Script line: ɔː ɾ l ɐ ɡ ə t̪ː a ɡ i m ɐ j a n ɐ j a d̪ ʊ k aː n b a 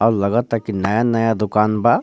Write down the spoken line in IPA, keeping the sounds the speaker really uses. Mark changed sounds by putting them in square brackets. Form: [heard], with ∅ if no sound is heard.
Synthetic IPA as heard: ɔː ɾ l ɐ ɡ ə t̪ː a [k] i [n] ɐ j a n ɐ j a d̪ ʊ k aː n b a